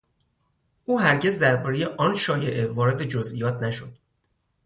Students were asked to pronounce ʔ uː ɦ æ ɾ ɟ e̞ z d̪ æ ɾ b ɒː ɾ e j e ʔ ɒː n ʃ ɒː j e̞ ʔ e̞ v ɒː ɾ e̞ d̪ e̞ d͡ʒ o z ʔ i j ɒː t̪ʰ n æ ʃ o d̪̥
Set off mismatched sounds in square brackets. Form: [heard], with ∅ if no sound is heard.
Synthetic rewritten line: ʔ uː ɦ æ ɾ ɟ e̞ z d̪ æ ɾ b ɒː ɾ e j e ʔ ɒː n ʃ ɒː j e̞ ʔ e̞ v ɒː ɾ e̞ d̪ e̞ d͡ʒ o z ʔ i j ɒː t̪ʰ n æ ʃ o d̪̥